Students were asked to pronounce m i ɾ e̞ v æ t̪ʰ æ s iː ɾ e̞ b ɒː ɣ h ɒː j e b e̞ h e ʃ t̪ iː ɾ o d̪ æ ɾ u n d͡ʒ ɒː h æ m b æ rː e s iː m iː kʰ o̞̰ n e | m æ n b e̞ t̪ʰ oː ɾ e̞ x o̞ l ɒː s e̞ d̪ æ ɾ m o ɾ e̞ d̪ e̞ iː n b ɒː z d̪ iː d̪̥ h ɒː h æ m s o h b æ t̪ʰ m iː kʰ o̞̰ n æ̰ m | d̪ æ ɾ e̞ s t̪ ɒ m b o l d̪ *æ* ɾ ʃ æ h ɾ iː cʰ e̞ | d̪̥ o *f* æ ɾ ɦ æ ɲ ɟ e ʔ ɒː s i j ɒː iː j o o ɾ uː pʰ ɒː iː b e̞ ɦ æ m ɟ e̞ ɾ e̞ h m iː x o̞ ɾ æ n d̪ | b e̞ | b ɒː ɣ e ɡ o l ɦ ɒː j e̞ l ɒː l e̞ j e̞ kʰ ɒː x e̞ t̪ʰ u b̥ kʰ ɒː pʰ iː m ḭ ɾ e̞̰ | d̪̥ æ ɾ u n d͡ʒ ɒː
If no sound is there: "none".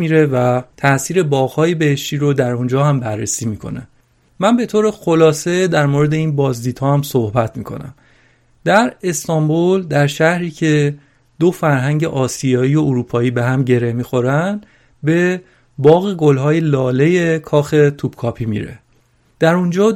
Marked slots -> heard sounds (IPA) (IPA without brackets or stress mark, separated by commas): æ, f